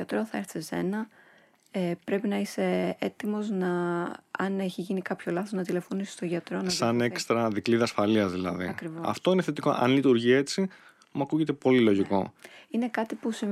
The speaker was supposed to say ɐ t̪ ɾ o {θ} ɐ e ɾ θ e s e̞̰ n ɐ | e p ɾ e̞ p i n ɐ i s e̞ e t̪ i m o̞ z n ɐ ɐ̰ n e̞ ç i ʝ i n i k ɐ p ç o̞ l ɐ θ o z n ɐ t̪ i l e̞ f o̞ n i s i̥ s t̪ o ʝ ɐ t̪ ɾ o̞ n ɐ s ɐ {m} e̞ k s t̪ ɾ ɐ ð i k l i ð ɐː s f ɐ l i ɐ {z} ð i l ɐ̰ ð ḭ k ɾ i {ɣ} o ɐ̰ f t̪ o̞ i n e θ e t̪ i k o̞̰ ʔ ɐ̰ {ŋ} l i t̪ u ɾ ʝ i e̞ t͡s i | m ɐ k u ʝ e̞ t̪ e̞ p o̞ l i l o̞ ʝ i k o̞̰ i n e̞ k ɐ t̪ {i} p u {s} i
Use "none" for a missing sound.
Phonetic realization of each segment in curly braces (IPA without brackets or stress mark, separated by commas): θ, n, z, v, n, i, s